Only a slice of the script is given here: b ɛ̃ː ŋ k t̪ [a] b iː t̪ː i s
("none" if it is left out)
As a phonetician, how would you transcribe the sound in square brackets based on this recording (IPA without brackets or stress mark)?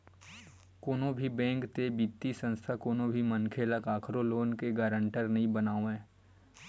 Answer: e